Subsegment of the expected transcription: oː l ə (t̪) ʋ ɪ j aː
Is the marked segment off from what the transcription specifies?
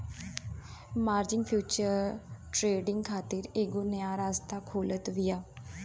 no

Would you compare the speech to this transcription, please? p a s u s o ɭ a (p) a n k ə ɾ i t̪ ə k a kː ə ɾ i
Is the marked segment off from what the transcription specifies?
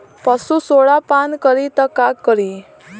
no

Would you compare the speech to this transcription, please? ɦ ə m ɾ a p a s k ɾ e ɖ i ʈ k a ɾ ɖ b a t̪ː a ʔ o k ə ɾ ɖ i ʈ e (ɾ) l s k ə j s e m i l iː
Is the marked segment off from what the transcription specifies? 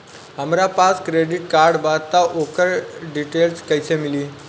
yes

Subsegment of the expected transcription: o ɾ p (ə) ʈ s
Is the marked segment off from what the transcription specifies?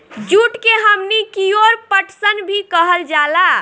no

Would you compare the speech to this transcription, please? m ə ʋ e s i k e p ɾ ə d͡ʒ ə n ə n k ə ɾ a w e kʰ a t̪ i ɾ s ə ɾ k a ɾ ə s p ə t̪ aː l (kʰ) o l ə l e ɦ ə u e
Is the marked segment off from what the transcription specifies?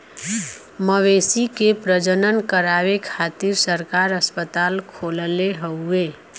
no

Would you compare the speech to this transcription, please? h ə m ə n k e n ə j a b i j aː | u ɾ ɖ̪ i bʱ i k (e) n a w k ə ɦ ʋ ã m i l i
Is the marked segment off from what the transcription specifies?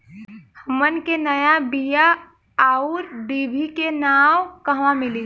no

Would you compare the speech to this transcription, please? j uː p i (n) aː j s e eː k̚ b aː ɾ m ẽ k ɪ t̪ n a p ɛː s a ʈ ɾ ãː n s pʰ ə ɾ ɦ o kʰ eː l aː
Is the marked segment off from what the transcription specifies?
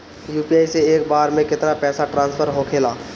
yes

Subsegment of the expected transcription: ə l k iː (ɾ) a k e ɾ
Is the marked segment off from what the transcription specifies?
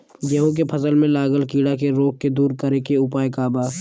yes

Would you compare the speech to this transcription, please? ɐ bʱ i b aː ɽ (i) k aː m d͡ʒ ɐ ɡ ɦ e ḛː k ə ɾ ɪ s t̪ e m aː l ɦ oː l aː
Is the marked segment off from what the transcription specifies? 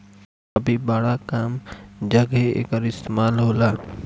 yes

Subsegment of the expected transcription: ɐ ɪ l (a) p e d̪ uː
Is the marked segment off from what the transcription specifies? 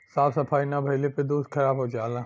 yes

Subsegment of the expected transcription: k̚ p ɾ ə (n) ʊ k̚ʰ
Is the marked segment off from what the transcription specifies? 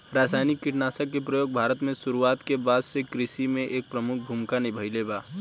yes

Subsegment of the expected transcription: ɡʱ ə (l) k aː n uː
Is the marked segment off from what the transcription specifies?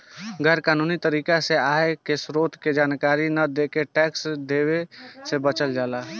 yes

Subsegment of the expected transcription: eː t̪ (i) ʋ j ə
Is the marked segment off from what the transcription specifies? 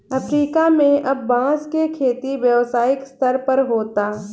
no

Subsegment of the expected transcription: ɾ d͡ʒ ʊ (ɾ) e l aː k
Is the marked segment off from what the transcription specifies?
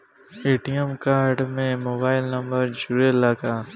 no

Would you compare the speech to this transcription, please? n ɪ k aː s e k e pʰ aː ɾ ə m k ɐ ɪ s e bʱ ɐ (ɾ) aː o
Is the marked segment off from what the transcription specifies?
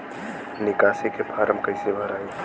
no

